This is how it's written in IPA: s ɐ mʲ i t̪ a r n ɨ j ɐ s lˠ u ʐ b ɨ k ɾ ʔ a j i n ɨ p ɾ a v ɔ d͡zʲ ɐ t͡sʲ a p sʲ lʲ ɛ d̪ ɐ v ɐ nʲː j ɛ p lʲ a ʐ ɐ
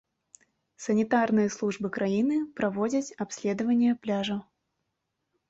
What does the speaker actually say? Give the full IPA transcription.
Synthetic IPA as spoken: s ɐ nʲ i t̪ a r n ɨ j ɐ s lˠ u ʐ b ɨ k ɾ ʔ a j i n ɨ p ɾ a v ɔ d͡zʲ ɐ t͡sʲ a p sʲ lʲ ɛ d̪ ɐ v ɐ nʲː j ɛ p lʲ a ʐ ɐ